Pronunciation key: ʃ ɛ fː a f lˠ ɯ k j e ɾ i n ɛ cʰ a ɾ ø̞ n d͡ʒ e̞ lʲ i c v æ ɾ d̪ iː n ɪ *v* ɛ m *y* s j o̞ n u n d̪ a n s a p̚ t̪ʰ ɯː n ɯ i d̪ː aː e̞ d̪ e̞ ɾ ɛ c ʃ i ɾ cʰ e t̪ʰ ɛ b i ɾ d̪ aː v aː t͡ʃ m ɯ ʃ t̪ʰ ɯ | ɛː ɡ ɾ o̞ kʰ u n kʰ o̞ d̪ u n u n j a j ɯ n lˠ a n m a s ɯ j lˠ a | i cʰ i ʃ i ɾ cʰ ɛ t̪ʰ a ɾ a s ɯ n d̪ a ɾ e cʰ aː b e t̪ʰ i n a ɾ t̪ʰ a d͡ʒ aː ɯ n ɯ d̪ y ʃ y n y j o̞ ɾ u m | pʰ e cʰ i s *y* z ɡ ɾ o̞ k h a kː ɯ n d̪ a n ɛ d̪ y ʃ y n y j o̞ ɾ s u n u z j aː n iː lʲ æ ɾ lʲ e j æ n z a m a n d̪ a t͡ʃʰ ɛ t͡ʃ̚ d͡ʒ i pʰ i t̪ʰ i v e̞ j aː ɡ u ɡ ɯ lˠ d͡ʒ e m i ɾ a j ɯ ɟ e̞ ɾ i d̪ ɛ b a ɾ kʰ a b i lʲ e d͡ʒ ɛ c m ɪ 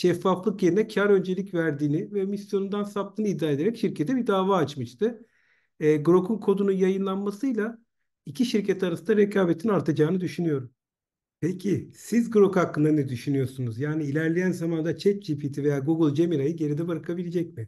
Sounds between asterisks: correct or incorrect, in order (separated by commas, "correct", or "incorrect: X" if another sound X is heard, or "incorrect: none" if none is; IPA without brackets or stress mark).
correct, incorrect: i, incorrect: i